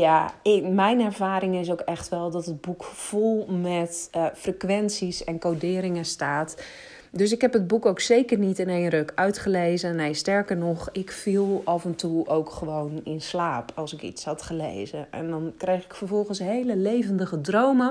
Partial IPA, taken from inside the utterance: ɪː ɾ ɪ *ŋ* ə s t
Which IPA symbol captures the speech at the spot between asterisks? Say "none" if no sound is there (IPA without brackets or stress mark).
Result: ŋ